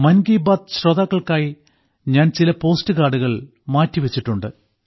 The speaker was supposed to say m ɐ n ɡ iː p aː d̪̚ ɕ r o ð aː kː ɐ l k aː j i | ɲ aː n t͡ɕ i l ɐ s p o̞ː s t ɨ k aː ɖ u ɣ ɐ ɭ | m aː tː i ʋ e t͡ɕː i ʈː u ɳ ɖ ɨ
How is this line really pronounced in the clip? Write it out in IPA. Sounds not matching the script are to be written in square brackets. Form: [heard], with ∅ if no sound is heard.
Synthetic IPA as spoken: m ɐ n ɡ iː [b] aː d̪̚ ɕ r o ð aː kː ɐ [ɭ] k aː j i | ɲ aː n t͡ɕ i l ɐ [∅] p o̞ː s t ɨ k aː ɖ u ɣ ɐ ɭ | m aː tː i ʋ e t͡ɕː i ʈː u ɳ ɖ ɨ